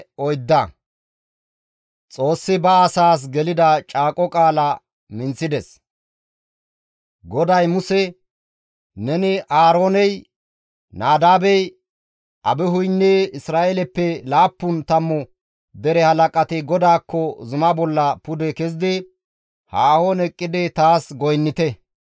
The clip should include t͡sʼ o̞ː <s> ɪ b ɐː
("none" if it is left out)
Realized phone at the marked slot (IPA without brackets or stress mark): sː